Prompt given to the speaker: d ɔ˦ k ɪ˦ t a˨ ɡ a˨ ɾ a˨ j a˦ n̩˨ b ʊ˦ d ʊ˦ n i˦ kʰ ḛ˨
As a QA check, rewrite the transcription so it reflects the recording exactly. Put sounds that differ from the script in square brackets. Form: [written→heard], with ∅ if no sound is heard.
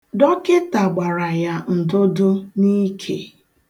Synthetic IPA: d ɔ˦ k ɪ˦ t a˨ [ɡ→ɡ͡b] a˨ ɾ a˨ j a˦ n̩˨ [b→d] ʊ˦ d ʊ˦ n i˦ kʰ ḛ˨